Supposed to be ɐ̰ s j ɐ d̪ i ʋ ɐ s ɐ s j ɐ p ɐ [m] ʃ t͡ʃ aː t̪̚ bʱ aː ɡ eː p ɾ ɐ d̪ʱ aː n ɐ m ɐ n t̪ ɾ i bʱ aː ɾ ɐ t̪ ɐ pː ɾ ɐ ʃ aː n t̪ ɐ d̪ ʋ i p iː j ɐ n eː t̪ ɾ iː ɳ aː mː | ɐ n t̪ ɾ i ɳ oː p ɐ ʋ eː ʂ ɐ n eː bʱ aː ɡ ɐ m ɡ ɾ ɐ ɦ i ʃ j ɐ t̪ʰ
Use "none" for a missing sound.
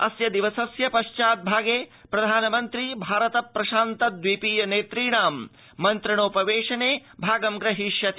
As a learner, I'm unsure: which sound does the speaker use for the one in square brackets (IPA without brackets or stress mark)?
none